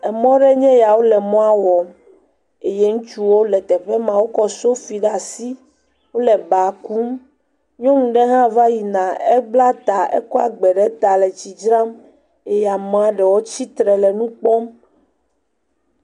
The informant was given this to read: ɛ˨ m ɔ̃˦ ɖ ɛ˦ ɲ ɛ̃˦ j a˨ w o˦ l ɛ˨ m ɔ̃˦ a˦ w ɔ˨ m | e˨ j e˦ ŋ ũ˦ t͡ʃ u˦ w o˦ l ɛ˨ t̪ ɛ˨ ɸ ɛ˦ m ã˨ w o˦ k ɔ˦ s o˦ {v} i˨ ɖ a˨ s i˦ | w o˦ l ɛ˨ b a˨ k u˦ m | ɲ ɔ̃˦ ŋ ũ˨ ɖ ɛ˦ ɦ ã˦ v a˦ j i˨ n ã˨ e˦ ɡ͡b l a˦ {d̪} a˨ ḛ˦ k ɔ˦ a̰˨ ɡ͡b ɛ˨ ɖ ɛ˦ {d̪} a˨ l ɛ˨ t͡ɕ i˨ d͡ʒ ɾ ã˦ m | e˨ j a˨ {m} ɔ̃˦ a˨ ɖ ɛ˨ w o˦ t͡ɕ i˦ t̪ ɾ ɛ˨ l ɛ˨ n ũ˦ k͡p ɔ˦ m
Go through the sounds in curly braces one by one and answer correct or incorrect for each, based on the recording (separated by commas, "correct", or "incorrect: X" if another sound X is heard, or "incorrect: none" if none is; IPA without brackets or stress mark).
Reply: incorrect: f, incorrect: t̪, incorrect: t̪, correct